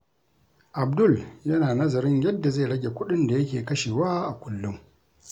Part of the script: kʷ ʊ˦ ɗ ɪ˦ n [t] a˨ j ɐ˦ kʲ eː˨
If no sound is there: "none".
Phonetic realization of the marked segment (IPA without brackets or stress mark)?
d